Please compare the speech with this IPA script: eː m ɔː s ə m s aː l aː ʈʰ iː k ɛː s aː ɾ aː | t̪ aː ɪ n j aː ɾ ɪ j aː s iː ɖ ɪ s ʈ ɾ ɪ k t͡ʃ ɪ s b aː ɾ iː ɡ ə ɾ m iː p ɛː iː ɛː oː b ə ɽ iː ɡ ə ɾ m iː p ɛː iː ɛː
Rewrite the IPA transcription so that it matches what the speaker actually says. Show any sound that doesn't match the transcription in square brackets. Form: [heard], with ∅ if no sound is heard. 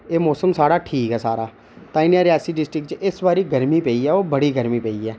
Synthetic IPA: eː m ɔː s ə m s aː [ɽ] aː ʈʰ iː k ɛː s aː ɾ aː | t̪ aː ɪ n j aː ɾ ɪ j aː s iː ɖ ɪ s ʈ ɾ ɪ k t͡ʃ ɪ s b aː ɾ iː ɡ ə ɾ m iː p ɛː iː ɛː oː b ə ɽ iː ɡ ə ɾ m iː p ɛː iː ɛː